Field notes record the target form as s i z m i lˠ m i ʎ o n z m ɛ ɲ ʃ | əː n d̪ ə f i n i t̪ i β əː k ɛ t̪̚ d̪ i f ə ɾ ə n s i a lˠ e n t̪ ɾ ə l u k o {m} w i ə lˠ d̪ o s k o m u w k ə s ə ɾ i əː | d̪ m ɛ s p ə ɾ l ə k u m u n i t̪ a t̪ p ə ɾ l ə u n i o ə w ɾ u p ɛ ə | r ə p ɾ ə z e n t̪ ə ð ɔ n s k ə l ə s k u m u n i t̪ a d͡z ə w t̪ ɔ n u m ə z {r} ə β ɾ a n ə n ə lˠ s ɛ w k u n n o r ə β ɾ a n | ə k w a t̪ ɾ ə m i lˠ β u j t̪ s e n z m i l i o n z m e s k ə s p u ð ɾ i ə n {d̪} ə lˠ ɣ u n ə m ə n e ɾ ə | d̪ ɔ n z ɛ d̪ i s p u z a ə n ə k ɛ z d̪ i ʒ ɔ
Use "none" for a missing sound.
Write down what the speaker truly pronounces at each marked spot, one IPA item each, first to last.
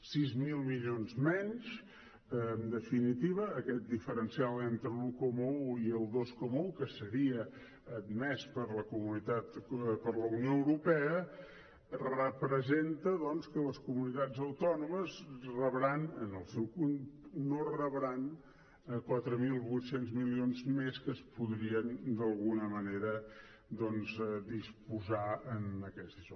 m, r, d̪

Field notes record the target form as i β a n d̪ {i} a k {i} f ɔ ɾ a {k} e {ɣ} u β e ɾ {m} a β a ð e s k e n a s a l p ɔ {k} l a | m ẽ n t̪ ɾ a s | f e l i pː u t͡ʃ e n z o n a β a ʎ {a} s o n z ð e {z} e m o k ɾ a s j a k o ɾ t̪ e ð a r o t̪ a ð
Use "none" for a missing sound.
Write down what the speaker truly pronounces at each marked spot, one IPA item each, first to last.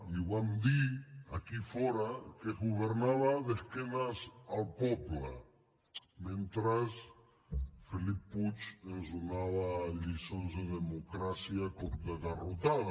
i, i, k, ɣ, n, p, i, ð

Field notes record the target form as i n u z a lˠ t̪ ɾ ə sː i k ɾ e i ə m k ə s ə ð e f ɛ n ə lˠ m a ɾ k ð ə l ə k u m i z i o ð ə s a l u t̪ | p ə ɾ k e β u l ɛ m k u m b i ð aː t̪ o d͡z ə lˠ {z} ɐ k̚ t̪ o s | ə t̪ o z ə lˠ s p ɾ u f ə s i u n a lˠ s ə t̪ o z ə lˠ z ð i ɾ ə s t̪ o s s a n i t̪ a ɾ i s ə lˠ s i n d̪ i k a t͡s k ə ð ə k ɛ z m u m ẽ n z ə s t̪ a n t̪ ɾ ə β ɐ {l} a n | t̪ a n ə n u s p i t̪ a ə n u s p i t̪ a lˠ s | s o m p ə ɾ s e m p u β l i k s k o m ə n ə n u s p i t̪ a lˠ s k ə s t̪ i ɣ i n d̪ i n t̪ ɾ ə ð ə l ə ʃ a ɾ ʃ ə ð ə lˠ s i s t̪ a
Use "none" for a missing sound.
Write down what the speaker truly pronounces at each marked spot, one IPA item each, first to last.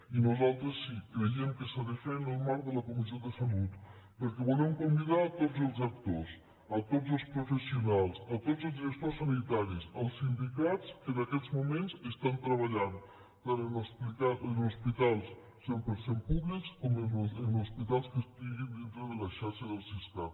z, ʎ

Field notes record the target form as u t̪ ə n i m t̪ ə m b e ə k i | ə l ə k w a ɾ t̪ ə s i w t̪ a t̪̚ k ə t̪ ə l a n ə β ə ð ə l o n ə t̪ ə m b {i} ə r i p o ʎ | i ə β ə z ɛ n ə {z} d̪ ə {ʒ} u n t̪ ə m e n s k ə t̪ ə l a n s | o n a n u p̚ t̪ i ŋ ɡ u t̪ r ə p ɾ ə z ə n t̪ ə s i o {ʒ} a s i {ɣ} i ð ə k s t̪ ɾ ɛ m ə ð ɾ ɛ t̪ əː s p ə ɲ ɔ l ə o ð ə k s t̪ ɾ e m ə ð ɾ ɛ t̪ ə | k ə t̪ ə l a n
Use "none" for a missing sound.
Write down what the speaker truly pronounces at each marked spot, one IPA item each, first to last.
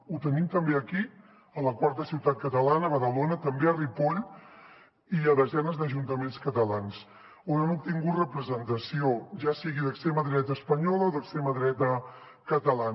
e, z, ʒ, ʒ, ɣ

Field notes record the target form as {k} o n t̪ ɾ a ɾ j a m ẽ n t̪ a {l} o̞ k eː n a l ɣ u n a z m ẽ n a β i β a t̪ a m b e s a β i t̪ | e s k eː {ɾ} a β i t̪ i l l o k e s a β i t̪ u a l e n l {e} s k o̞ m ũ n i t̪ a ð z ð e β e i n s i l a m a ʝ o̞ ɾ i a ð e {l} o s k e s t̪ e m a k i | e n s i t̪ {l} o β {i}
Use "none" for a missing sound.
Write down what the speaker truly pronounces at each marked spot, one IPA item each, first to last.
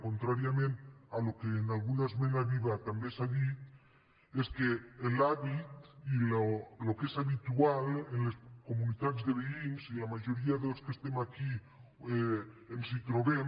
k, l, l, e, l, ɾ, e

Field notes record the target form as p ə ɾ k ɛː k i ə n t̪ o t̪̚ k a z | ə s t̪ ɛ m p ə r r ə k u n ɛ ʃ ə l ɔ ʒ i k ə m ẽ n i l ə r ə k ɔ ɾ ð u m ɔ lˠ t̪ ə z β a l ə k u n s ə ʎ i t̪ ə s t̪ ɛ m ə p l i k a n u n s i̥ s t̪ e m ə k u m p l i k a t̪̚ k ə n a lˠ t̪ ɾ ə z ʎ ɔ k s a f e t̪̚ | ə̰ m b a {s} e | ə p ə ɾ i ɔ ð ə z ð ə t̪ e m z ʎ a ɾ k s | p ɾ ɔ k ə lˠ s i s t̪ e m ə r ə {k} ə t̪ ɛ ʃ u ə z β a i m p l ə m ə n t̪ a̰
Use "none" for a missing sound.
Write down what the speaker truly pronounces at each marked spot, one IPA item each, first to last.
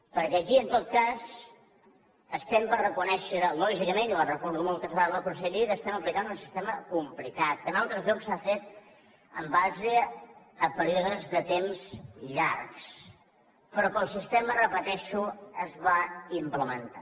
z, p

